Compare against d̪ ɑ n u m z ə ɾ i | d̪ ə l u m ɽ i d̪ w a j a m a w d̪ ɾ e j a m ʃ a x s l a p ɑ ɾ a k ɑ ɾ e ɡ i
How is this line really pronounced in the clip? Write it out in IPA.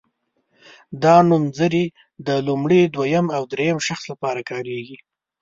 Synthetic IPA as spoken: d̪ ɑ n u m z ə ɾ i | d̪ ə l u m ɽ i d̪ w a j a m a w d̪ ɾ e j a m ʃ a x s l a p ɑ ɾ a k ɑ ɾ e ɡ i